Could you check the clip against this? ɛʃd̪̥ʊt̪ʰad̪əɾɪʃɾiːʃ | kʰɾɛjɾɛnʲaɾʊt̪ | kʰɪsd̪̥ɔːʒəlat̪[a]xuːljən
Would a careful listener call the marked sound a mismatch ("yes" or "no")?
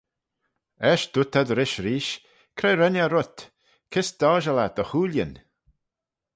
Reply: yes